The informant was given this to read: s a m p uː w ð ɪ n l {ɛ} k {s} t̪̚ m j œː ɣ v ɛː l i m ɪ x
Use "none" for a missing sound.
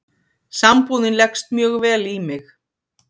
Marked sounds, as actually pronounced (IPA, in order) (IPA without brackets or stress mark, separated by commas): ɛ, s